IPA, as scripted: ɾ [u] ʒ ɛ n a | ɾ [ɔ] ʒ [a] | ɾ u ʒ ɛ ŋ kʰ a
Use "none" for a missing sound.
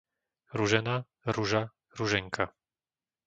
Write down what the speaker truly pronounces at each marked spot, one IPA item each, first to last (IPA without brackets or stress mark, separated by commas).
u, u, a